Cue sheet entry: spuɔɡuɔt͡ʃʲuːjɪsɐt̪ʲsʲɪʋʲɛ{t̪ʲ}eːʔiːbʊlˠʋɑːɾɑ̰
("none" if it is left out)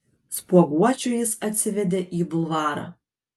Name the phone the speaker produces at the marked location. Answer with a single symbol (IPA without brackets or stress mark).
d̪ʲ